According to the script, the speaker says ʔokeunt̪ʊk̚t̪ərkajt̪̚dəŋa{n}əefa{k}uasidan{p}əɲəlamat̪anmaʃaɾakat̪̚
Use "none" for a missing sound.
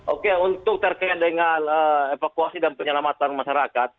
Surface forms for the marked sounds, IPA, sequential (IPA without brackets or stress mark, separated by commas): n, k, p